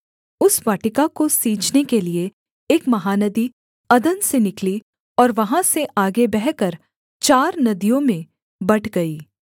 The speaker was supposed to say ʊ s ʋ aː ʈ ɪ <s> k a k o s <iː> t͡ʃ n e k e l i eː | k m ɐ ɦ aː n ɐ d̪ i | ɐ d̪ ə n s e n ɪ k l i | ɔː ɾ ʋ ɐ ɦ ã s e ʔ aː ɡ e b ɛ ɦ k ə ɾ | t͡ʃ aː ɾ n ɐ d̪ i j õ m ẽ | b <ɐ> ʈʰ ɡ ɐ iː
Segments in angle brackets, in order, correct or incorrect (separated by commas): incorrect, correct, correct